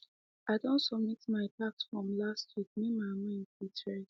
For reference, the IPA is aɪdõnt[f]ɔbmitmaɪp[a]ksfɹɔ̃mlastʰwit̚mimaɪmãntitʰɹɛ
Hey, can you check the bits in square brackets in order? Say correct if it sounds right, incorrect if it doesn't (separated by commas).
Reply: incorrect, correct